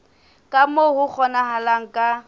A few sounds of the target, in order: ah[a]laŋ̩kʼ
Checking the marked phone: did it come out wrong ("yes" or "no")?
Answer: no